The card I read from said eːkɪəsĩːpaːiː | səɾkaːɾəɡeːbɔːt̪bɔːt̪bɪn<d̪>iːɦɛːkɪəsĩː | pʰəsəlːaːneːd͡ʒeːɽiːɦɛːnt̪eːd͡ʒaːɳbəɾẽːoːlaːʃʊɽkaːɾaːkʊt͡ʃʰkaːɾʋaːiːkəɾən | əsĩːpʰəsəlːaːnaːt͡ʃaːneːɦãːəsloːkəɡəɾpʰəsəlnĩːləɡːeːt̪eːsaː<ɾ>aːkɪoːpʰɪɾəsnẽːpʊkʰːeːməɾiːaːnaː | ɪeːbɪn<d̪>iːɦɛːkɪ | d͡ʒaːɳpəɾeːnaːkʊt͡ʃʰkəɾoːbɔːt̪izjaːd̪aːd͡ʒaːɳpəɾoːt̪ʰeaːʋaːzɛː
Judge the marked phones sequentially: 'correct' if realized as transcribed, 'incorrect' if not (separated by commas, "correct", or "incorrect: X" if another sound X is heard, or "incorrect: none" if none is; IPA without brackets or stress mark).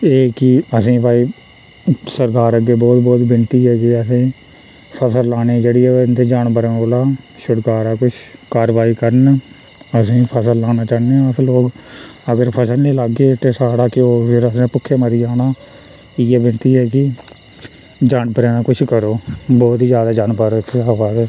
incorrect: t̪, incorrect: ɽ, incorrect: t̪